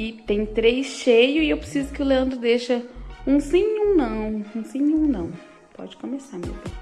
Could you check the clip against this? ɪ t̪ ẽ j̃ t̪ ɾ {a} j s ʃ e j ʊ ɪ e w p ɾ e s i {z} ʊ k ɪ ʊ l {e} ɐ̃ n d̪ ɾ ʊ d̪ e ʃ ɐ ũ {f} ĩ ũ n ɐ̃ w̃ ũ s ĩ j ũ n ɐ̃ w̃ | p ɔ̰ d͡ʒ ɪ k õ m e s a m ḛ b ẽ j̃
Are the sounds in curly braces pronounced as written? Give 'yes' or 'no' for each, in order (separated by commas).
no, yes, yes, no